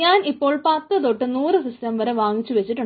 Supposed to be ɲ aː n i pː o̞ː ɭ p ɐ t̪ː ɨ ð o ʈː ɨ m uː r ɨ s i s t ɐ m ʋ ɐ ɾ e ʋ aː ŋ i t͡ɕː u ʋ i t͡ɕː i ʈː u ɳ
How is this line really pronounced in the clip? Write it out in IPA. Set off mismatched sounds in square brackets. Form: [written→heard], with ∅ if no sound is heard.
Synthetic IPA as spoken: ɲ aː n i pː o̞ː ɭ p ɐ t̪ː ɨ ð o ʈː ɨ [m→n] uː r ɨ s i s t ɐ m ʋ ɐ ɾ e ʋ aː ŋ i t͡ɕː u ʋ [i→e] t͡ɕː i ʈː u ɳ